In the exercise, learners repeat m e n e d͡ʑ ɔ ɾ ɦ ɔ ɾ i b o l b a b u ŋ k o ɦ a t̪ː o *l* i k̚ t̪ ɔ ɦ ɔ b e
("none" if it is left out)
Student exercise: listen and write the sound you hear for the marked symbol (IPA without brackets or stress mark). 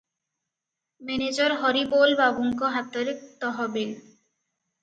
ɾ